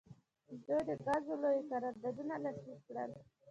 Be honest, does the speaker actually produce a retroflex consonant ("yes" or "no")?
yes